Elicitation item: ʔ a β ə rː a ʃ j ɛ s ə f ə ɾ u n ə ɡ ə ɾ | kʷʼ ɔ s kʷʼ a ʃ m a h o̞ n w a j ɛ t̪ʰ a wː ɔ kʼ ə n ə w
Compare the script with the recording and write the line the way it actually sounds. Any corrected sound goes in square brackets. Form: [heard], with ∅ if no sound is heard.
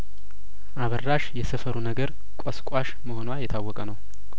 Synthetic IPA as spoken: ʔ a β ə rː a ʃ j ɛ s ə f ə ɾ u n ə ɡ ə ɾ | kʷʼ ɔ s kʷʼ a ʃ m [ə] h o̞ n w a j ɛ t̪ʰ a wː ɔ kʼ ə n ə w